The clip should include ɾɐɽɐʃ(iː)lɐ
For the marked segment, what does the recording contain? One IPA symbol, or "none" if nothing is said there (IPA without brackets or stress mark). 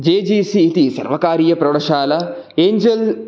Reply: aː